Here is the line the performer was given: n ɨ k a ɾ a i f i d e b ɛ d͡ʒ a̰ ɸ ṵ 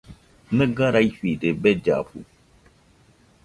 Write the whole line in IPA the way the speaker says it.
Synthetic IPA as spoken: n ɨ ɡ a ɾ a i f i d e b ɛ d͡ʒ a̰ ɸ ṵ